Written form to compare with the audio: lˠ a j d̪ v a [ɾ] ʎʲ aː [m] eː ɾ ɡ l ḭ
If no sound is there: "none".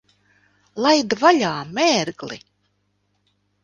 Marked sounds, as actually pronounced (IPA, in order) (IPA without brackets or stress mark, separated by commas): none, m